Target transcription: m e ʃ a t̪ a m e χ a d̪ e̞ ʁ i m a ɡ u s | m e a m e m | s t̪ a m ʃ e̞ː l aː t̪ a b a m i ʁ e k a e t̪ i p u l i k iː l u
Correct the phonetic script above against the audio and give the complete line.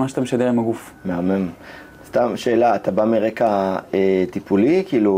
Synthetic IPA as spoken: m a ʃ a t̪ a m e ʃ a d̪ e̞ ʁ i m a ɡ u f | m e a m e m | s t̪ a m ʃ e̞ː l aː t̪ a b a m i ʁ e k a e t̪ i p u l i k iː l u